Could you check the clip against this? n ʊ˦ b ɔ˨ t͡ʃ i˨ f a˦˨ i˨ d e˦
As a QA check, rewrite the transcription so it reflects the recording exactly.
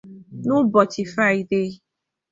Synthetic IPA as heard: n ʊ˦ b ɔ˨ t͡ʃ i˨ f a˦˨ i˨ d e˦